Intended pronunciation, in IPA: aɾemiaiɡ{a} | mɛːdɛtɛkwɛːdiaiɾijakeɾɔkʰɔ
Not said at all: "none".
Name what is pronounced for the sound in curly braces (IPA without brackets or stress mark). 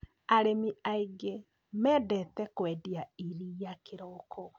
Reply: e